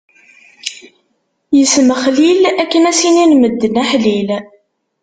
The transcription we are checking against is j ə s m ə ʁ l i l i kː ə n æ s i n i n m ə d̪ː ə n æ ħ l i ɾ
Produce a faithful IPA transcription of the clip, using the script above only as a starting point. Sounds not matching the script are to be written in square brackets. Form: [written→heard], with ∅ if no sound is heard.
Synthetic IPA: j ə s m ə [ʁ→χ] l i l [i→æ] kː ə n æ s i n i n m ə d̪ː ə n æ ħ l i [ɾ→l]

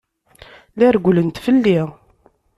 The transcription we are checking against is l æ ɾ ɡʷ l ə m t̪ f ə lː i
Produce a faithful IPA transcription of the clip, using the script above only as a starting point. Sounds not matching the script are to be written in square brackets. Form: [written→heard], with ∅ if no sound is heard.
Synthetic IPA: l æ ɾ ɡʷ l ə [m→n] t̪ f ə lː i

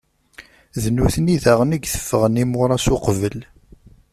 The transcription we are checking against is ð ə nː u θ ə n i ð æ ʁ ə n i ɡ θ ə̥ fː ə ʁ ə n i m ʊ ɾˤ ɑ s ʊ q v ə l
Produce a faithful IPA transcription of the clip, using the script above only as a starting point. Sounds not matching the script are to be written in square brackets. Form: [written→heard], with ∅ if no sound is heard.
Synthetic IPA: ð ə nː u θ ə n i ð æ ʁ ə n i ɡ θ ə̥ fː ə ʁ ə n i m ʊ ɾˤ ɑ s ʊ q v ə l

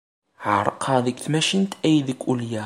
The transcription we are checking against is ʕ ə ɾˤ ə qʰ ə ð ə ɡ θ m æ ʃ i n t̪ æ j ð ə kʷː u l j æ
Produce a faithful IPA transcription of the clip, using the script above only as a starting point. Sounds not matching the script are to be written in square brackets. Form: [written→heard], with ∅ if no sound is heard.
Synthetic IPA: ʕ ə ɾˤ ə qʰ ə ð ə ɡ θ m æ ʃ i n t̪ æ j ð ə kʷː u l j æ

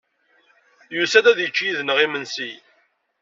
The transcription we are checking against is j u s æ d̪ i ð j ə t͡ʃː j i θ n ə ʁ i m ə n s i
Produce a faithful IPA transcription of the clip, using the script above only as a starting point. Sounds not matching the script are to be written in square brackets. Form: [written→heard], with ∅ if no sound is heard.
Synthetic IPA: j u s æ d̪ [i→æ] ð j ə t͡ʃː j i [θ→ð] n ə ʁ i m ə n s i

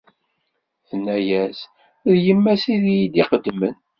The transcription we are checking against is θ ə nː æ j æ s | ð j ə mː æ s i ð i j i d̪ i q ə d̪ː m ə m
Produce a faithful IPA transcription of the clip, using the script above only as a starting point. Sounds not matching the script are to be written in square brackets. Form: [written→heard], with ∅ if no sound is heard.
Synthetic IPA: θ ə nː æ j æ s | ð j ə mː æ s i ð i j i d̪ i q ə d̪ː m ə [m→n]

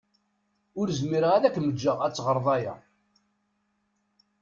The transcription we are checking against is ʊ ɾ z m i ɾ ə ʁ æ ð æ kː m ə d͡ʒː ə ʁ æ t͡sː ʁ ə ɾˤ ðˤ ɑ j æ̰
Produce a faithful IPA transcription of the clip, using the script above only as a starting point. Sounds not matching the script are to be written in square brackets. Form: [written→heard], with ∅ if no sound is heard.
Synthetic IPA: ʊ ɾ z m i ɾ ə ʁ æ ð æ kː m ə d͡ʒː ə ʁ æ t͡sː ʁ ə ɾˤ ðˤ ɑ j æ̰

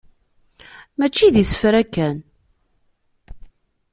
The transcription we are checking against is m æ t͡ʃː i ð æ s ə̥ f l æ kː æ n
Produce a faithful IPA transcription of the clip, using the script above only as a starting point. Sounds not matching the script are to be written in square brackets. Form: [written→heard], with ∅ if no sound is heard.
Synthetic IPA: m æ t͡ʃː i ð [æ→i] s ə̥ f [l→ɾ] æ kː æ n

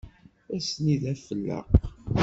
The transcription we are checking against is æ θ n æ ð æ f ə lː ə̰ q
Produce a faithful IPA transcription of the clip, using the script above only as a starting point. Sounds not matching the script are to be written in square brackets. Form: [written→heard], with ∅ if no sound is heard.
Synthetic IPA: æ [θ→s] n [æ→i] ð æ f ə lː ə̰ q

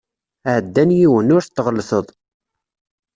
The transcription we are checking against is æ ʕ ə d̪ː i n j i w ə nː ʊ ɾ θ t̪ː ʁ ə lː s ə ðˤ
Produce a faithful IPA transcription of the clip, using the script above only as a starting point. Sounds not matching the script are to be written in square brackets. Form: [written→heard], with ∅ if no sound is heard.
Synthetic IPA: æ ʕ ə d̪ː [i→æ] n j i w ə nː ʊ ɾ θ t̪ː ʁ ə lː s ə ðˤ

